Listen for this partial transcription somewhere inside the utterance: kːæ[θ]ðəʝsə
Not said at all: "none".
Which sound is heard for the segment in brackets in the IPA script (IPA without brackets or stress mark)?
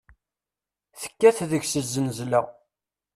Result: θ